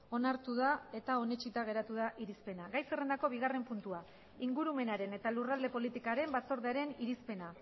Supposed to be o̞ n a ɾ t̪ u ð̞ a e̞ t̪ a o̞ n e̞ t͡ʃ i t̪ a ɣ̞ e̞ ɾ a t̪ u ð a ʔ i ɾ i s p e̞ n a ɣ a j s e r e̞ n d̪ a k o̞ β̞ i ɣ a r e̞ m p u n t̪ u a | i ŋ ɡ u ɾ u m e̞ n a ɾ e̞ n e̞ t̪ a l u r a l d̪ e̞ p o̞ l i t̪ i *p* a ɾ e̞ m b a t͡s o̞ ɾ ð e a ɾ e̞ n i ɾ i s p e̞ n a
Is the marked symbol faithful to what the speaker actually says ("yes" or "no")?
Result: no